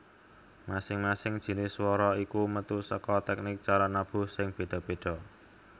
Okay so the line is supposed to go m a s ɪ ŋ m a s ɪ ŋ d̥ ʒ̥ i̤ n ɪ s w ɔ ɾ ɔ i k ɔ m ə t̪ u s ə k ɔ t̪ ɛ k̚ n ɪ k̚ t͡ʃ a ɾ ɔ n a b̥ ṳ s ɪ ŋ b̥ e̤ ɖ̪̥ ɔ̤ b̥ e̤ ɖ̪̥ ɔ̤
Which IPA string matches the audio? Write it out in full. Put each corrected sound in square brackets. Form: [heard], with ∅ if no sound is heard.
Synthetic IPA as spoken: m a s ɪ ŋ m a s ɪ ŋ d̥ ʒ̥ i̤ n ɪ s w ɔ ɾ ɔ i k [u] m ə t̪ u s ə k ɔ t̪ ɛ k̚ n ɪ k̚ t͡ʃ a ɾ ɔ n a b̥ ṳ s ɪ ŋ b̥ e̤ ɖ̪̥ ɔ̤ b̥ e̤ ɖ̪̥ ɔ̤